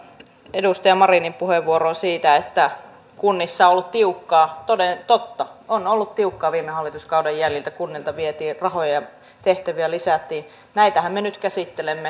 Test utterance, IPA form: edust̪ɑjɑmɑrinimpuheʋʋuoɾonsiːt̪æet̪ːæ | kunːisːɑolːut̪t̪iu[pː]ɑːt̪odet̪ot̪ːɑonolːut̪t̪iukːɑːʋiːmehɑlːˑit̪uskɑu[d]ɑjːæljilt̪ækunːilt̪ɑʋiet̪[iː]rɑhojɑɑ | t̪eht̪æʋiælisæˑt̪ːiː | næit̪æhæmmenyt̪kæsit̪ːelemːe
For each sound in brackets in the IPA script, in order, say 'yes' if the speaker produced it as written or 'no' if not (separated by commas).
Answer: no, yes, yes